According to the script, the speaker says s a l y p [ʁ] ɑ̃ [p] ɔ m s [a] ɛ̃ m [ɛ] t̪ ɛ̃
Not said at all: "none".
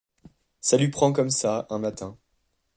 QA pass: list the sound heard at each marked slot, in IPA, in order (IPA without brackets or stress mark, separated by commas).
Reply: χ, k, a, a